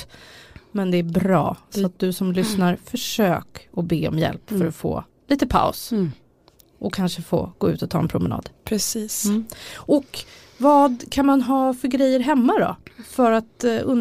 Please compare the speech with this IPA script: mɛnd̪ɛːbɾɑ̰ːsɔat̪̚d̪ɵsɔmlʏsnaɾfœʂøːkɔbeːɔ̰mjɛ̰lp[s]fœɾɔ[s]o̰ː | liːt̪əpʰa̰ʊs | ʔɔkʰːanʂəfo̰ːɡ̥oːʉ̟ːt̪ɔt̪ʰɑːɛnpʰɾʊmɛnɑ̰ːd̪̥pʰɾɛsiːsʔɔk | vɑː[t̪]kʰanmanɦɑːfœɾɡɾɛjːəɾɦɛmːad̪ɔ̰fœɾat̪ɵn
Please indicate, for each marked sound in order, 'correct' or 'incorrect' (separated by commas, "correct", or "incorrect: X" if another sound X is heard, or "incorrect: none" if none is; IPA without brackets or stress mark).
incorrect: f, incorrect: f, incorrect: d̪